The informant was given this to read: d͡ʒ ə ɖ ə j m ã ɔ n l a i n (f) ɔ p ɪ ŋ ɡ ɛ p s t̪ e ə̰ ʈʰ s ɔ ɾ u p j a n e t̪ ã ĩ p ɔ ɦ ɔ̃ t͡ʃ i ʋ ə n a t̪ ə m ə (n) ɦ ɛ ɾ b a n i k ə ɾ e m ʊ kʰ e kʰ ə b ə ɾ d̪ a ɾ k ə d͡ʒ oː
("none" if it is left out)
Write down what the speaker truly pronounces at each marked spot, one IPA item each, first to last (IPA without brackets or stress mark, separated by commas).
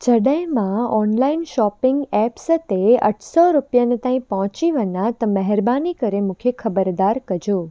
ʃ, none